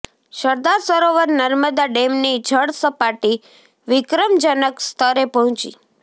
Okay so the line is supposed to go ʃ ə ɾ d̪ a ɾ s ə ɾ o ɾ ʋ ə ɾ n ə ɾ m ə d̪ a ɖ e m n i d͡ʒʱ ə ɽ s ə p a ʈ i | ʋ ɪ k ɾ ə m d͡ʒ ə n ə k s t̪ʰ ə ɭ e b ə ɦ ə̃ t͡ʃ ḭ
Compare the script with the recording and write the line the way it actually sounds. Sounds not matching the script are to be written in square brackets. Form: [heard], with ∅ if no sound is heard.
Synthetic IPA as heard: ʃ ə ɾ d̪ a ɾ s ə ɾ o [∅] ʋ ə ɾ n ə ɾ m ə d̪ a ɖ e m n i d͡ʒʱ ə ɽ s ə p a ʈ i | ʋ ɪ k ɾ ə m d͡ʒ ə n ə k s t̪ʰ ə [ɾ] e [p] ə ɦ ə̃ t͡ʃ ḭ